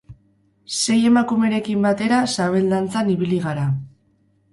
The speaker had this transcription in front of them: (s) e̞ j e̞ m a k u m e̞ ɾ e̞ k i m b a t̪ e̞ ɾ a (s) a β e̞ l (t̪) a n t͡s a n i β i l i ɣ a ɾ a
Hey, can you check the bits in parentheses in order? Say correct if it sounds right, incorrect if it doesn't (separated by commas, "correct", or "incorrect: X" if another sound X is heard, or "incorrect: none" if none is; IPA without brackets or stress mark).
correct, correct, incorrect: d̪